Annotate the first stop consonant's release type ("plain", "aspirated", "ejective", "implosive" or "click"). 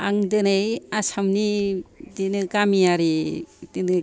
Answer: plain